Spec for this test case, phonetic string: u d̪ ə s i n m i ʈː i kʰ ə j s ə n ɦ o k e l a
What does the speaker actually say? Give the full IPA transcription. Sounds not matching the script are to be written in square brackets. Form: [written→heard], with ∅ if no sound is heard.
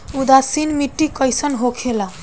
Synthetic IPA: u d̪ [ə→a] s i n m i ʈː i [kʰ→k] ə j s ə n ɦ o [k→kʰ] e l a